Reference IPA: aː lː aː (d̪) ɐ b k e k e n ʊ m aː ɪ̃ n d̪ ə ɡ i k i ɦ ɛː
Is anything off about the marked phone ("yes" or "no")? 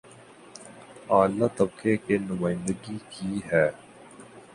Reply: yes